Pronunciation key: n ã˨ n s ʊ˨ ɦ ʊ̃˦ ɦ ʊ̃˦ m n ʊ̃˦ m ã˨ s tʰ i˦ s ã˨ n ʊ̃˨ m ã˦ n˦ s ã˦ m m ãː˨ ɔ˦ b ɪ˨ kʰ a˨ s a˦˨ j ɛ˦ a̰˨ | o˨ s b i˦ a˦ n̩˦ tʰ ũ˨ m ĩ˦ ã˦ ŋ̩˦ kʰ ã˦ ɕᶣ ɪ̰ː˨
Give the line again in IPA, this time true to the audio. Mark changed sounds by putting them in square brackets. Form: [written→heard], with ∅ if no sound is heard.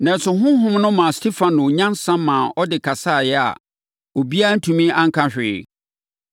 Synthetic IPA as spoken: n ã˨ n s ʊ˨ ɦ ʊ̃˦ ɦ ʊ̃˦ m n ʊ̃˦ m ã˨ s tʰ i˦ [s→f] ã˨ n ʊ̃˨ [m→ɲ] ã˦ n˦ s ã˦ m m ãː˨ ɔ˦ [b→d] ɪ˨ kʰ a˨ s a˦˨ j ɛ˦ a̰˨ | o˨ [s→∅] b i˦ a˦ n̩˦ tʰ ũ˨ m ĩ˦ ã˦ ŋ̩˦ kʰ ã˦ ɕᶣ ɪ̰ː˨